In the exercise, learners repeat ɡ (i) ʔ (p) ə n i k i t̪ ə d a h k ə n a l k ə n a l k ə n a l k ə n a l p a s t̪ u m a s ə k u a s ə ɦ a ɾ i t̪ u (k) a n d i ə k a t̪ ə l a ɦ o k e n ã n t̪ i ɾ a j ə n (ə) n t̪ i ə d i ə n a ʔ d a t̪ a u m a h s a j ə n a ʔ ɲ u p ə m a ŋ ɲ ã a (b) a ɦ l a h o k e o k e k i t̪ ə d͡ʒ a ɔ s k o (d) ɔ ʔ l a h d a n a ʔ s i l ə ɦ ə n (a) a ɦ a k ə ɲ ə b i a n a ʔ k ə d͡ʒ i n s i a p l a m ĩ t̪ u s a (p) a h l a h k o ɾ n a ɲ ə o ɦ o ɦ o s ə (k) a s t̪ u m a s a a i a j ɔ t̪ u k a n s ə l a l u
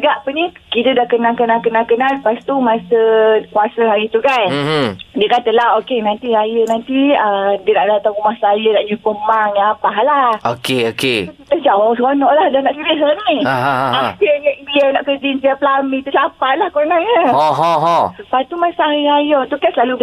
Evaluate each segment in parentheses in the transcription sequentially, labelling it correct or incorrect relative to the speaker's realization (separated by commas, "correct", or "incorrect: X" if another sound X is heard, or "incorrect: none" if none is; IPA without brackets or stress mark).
incorrect: a, correct, correct, incorrect: a, incorrect: p, incorrect: n, incorrect: i, correct, incorrect: p